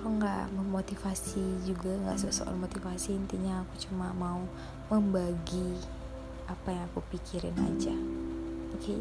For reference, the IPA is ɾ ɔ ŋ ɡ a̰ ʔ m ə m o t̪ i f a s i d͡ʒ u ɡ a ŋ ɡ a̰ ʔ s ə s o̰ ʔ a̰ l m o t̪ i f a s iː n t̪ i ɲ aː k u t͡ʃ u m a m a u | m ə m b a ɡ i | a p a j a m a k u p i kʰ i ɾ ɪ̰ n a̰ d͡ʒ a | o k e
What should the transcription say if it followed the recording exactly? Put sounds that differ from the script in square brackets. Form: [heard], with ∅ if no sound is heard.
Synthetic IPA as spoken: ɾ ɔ ŋ ɡ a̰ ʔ m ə m o t̪ i f a s i d͡ʒ u ɡ a ŋ ɡ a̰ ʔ s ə s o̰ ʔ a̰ l m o t̪ i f a s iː n t̪ i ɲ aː k u t͡ʃ u m a m a u | m ə m b a ɡ i | a p a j a [ŋ] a k u p i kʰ i ɾ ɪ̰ n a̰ d͡ʒ a | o k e